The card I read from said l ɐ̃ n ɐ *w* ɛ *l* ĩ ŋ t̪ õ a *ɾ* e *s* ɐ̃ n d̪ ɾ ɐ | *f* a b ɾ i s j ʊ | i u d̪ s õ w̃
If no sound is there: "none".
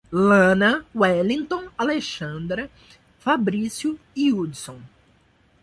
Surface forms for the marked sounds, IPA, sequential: w, l, l, ʃ, f

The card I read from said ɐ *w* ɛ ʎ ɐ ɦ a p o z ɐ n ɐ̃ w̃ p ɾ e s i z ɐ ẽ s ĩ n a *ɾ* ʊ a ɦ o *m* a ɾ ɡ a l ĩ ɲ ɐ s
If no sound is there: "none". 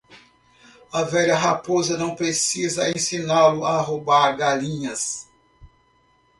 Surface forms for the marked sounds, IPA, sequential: v, l, b

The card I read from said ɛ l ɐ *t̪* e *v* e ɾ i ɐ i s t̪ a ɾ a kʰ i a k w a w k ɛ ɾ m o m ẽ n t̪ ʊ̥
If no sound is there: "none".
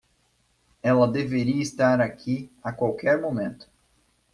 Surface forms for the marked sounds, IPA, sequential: d̪, v

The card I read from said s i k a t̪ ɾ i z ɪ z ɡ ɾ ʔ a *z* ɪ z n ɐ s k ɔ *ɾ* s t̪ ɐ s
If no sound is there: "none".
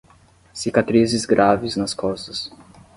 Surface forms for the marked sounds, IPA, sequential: v, none

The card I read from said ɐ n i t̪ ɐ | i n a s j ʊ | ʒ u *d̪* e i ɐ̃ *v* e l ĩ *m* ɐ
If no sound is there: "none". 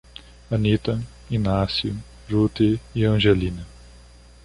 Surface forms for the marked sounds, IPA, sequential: t̪, ʒ, n

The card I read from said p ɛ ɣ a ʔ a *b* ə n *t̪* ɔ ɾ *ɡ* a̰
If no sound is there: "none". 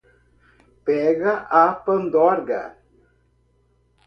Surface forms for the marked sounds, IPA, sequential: p, d̪, ɡ

